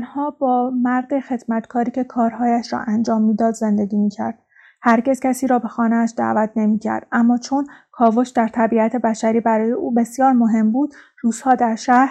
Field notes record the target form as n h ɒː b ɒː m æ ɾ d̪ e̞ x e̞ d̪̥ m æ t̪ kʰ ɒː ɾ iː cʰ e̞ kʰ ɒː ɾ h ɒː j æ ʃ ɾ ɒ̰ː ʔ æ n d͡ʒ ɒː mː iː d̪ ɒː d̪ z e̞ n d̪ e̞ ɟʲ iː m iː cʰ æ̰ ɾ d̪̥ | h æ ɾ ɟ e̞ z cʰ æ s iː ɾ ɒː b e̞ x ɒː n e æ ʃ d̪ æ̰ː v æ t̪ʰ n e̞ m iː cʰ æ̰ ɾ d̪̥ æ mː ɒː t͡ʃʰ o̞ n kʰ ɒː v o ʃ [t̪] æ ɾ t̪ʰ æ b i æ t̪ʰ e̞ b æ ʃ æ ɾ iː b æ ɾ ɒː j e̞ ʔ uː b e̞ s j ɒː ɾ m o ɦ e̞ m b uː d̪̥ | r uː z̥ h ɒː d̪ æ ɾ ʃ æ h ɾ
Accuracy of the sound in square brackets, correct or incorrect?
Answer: incorrect